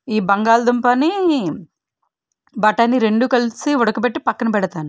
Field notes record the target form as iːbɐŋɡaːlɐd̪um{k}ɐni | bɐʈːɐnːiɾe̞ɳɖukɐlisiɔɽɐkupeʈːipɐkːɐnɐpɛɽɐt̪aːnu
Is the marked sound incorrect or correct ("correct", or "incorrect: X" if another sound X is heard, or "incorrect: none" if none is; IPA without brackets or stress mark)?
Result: incorrect: p